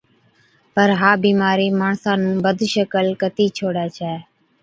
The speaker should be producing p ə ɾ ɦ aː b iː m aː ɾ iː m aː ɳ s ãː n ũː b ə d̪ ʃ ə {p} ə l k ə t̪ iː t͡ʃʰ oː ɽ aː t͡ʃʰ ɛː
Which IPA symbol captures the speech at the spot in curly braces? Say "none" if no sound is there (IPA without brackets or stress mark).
k